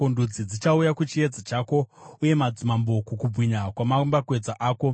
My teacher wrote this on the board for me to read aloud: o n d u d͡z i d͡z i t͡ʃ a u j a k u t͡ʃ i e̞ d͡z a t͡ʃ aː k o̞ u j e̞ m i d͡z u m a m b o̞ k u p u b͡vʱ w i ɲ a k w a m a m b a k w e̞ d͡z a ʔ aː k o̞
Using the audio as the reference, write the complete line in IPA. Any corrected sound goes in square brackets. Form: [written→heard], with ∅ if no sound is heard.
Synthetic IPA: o n d u d͡z i d͡z i t͡ʃ a u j a k u t͡ʃ i e̞ d͡z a t͡ʃ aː k o̞ u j e̞ m [i→a] d͡z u m a m b o̞ k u [p→k] u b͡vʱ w i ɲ a k w a m a m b a k w e̞ d͡z a ʔ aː k o̞